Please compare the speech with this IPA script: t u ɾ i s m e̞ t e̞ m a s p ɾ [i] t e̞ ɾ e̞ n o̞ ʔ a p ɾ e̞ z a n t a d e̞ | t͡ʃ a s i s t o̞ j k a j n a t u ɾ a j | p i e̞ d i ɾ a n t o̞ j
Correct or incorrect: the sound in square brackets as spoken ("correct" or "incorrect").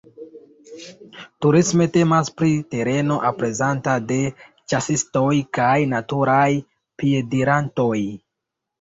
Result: correct